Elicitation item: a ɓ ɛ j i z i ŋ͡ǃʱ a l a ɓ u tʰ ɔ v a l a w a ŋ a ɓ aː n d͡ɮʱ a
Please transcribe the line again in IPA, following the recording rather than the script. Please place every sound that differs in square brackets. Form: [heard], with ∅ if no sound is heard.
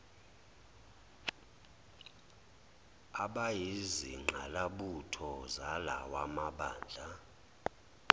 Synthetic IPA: a ɓ [a] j i z i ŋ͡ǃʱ a l a ɓ u tʰ ɔ [z] a l a w a [m] a ɓ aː n d͡ɮʱ a